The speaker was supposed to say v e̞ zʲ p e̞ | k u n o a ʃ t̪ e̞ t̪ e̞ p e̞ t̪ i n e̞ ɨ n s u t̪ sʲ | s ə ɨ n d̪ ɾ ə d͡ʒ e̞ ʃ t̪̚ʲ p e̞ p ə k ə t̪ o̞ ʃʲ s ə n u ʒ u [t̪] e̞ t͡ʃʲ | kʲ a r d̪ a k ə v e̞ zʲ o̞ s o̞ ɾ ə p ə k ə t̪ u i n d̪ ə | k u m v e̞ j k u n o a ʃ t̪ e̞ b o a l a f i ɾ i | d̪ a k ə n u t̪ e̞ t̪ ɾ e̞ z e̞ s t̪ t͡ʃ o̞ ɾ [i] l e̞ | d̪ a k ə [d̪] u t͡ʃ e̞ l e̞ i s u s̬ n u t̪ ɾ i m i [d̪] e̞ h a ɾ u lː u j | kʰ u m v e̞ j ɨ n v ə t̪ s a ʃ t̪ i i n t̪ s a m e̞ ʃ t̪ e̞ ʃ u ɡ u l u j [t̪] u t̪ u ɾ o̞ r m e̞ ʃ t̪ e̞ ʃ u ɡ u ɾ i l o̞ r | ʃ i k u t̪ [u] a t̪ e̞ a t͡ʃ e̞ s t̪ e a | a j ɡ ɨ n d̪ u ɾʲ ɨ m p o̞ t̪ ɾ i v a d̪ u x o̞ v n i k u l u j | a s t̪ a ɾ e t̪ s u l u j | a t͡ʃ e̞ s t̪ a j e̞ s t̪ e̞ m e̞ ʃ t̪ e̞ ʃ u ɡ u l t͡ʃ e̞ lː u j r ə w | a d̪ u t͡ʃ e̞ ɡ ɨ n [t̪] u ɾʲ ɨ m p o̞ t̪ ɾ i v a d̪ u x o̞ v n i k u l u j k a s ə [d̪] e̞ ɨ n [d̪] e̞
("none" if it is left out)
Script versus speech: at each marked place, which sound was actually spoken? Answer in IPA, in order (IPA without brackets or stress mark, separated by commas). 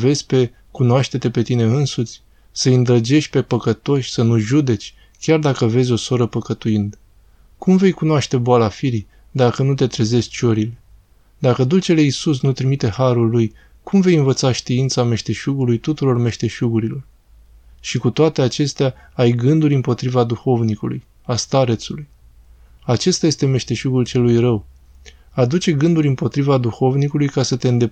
d̪, i, d̪, t̪, t̪, o, d̪, t̪, d̪